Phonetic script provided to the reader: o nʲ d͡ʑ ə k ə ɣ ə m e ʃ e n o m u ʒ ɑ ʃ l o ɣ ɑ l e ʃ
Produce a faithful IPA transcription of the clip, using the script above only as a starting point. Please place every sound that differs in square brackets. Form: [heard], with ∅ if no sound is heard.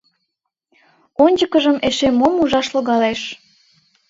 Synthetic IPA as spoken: o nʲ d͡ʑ ə k ə [ʒ] ə m e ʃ e [m] o m u ʒ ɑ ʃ l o ɣ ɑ l e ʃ